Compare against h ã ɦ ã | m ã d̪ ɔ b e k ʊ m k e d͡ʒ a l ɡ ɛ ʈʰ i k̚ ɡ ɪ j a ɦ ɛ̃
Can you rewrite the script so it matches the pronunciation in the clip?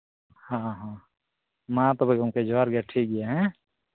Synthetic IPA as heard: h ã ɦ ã | m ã t̪ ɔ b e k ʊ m k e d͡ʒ a ɾ ɡ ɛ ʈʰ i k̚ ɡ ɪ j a ɦ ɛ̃